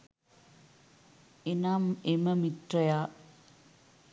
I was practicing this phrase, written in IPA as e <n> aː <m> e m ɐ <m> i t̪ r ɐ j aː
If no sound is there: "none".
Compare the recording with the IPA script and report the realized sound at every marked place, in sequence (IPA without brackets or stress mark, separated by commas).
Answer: n, m, m